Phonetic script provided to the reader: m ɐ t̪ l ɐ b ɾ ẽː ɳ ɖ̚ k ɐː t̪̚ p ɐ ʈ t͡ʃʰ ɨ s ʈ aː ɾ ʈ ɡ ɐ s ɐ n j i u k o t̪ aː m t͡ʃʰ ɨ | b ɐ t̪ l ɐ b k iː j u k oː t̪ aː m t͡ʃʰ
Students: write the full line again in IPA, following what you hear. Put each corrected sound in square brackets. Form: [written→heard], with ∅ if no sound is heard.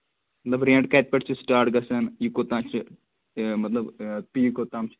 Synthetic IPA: m ɐ t̪ l ɐ b ɾ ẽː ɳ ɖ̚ k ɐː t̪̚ p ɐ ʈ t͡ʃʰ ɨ s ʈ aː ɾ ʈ ɡ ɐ s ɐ n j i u k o t̪ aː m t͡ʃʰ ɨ | [b→m] ɐ t̪ l ɐ b [k→p] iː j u k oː t̪ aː m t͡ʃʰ

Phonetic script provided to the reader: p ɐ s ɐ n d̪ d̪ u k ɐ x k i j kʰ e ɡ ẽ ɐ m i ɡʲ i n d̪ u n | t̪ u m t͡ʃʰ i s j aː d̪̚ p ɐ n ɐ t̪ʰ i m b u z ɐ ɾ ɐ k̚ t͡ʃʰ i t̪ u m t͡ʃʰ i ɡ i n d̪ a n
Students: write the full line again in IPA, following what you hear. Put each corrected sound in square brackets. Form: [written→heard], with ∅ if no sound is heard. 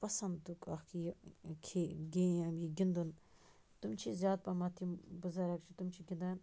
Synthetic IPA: p ɐ s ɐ n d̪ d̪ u k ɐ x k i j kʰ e ɡ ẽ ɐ m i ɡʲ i n d̪ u n | t̪ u m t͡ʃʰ i [s→z] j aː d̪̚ p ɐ [n→m] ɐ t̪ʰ i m b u z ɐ ɾ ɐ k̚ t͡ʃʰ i t̪ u m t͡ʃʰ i ɡ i n d̪ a n

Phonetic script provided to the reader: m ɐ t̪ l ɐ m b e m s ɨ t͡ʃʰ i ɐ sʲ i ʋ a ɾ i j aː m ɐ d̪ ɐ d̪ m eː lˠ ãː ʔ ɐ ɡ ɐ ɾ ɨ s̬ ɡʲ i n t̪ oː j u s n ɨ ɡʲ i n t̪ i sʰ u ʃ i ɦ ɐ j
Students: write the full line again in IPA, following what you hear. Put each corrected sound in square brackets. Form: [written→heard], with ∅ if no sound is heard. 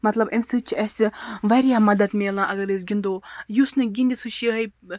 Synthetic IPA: m ɐ t̪ l ɐ [m→∅] b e m s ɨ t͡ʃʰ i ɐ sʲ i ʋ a ɾ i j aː m ɐ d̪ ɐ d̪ m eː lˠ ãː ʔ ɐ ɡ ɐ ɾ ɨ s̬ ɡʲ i n [t̪→d̪] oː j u s n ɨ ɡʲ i n [t̪→d̪] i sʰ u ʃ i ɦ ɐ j

